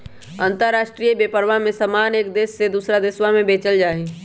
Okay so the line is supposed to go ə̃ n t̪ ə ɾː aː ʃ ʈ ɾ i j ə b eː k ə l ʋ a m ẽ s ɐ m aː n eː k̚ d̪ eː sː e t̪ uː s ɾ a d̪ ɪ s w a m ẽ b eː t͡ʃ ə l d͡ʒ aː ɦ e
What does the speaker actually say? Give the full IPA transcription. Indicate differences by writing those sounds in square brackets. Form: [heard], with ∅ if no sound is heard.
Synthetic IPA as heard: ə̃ n t̪ ə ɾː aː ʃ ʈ ɾ i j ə b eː [p] ə [ɾ] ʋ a m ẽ s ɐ m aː n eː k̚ d̪ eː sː e [d̪] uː s ɾ a d̪ ɪ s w a m ẽ b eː t͡ʃ ə l d͡ʒ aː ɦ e